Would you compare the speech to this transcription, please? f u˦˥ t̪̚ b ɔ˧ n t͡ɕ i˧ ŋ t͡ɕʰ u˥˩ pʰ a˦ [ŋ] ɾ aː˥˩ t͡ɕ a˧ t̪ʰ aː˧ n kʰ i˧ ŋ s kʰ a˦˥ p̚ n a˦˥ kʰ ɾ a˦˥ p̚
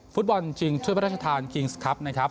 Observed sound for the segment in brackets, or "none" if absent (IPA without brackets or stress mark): none